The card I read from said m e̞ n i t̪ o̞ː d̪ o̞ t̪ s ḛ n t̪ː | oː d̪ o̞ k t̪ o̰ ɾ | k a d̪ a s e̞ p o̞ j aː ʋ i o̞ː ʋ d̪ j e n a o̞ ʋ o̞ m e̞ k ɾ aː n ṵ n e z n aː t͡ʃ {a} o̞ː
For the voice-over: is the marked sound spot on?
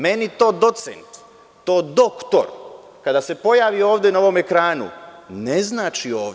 no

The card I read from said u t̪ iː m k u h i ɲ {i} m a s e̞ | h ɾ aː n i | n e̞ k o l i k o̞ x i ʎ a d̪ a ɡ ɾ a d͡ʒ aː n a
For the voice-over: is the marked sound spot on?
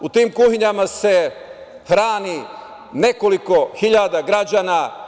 no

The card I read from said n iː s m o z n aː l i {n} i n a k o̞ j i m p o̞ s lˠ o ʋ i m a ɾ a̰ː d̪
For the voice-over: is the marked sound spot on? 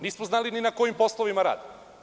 yes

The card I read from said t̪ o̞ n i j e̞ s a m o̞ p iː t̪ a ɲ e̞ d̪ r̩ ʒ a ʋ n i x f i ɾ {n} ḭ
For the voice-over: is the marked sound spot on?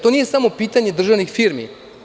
no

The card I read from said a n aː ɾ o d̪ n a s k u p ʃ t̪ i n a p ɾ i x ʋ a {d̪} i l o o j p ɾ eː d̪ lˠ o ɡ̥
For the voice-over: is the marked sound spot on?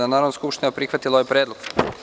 no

